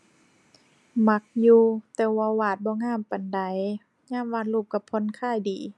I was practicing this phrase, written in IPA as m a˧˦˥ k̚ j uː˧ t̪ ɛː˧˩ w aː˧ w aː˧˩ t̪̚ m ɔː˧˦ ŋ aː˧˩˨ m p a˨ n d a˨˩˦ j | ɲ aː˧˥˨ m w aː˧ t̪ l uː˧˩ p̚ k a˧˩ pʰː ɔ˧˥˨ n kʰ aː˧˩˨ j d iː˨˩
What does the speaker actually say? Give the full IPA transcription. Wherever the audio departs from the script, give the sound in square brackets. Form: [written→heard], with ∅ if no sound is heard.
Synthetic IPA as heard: m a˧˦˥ k̚ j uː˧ t̪ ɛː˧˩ w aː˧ w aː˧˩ t̪̚ [m→b] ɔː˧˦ ŋ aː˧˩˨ m p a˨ n d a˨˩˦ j | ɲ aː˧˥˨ m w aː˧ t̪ l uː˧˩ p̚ k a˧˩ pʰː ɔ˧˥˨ n kʰ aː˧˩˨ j d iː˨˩